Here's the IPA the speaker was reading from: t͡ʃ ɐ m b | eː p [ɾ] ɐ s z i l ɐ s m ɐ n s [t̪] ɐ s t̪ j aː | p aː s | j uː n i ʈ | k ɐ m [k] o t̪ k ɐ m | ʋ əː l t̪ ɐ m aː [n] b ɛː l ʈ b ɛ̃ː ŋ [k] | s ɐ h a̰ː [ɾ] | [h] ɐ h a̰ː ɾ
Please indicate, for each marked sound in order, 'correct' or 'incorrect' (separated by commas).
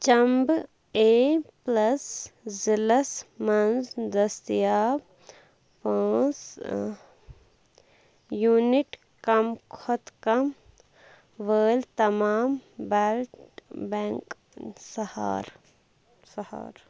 incorrect, incorrect, incorrect, incorrect, correct, correct, incorrect